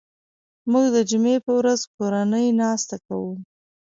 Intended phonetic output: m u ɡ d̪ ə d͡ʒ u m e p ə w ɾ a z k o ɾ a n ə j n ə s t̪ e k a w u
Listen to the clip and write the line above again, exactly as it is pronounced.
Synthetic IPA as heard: m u ɡ d̪ ə d͡ʒ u m e p ə w ɾ a z k o ɾ a n ə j n ɑ s t̪ a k a w u